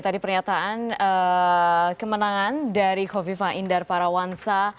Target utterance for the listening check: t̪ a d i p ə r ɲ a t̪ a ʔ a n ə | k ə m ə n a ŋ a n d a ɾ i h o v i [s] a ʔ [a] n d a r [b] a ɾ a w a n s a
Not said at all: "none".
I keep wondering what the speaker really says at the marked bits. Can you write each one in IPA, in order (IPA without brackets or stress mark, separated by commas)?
f, i, p